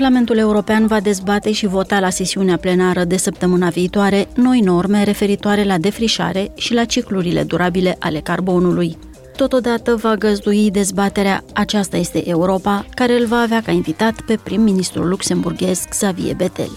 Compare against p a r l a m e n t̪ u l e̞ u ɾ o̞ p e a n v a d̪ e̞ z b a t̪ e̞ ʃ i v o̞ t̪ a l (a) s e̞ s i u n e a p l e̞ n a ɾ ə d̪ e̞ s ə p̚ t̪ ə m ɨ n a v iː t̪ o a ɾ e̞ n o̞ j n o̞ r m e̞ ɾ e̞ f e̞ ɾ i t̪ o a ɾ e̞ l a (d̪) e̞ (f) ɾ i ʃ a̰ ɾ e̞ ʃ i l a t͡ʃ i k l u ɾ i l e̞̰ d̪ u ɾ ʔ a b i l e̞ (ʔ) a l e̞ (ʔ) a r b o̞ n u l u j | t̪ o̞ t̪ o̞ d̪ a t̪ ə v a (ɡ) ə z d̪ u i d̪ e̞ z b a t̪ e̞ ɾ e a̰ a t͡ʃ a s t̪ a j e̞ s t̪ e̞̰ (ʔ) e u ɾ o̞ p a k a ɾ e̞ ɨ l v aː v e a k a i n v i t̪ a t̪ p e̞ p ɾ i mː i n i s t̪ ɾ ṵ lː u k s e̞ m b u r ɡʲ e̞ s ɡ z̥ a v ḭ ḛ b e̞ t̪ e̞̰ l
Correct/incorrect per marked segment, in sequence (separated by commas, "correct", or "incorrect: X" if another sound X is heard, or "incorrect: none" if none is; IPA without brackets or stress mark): correct, correct, correct, correct, incorrect: k, correct, correct